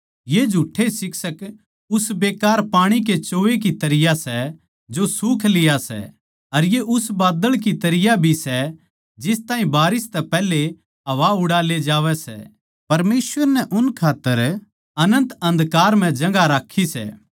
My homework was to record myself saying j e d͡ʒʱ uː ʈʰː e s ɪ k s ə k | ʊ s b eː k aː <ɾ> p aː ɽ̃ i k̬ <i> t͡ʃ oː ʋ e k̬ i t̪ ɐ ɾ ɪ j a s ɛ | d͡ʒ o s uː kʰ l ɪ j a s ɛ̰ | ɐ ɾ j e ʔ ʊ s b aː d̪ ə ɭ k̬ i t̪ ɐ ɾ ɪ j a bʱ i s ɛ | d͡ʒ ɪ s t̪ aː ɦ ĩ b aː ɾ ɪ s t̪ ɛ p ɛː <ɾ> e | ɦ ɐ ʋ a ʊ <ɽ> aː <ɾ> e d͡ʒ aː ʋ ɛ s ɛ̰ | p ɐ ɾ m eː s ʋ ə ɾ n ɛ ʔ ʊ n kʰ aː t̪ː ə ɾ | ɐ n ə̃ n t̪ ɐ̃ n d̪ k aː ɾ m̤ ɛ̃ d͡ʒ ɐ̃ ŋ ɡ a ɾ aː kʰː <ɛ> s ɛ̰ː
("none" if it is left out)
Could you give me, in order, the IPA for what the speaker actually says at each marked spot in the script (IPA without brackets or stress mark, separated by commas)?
ɾ, e, l, ɽ, l, i